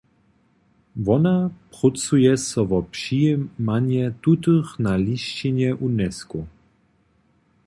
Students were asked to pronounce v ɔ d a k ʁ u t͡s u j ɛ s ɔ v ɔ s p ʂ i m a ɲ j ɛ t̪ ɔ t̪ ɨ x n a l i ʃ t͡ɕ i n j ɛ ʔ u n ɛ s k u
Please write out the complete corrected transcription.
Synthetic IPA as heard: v ɔ n a p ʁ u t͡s u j ɛ s ɔ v ɔ p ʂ i m a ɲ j ɛ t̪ u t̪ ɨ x n a l i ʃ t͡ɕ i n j ɛ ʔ u n ɛ s k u